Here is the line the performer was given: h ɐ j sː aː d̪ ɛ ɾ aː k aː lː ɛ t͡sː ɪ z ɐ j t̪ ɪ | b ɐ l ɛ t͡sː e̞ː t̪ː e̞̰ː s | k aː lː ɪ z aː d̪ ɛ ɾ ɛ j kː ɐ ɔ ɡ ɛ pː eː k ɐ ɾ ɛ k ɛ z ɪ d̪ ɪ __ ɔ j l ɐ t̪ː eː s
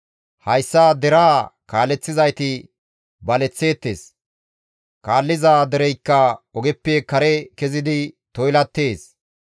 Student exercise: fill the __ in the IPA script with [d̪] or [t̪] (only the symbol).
t̪